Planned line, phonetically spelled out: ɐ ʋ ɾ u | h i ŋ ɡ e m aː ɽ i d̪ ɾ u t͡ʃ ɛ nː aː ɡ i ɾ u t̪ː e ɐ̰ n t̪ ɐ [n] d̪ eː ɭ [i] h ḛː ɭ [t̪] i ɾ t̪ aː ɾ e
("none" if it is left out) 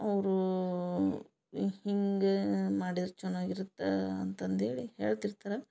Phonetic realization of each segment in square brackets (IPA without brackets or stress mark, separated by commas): n, i, t̪